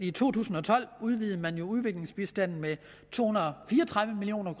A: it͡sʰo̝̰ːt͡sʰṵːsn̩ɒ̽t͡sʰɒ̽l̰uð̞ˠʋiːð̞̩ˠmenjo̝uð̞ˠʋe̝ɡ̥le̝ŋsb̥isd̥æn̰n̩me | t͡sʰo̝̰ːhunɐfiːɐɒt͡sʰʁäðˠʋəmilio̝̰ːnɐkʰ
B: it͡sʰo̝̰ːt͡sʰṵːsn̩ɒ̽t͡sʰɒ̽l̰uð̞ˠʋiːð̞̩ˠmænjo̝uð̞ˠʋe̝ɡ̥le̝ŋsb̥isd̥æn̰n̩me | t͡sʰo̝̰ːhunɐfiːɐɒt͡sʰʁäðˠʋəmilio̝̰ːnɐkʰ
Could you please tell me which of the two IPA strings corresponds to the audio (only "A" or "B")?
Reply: B